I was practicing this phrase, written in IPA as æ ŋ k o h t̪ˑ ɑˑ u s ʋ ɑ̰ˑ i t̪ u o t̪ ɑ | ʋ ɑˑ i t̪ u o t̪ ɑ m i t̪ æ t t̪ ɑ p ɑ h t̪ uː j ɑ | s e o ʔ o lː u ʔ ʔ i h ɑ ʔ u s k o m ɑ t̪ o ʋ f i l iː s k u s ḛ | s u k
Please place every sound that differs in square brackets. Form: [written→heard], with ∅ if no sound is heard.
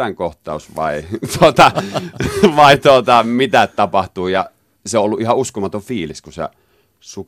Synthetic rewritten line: æ ŋ k o h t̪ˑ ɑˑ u s ʋ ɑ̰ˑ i t̪ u o t̪ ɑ | ʋ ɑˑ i t̪ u o t̪ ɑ m i t̪ æ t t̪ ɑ p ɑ h t̪ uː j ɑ | s e o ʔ o lː u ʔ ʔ i h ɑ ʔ u s k o m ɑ t̪ o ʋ f [i→iː] l [iː→i] s k u s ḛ | s u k